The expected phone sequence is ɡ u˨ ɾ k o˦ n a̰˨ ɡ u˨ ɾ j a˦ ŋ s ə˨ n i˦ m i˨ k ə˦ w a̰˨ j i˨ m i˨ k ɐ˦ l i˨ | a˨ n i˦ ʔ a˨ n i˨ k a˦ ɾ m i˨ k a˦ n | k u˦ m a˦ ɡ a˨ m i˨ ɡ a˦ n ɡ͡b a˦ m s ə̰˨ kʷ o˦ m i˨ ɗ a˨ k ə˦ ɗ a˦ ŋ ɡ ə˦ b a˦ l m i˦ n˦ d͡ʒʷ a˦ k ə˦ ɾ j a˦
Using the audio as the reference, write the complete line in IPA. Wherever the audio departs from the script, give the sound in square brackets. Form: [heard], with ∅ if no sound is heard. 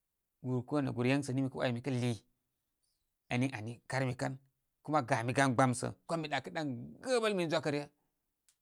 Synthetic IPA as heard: ɡ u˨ ɾ k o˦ n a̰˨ ɡ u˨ ɾ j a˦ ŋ s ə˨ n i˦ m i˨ k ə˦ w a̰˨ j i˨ m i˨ k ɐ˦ l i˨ | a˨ n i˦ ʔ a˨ n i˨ k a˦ ɾ m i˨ k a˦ n | k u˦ m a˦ ɡ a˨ m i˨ ɡ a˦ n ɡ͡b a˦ m s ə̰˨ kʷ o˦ m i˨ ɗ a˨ k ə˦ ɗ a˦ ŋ ɡ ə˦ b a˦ l m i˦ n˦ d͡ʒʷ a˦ k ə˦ ɾ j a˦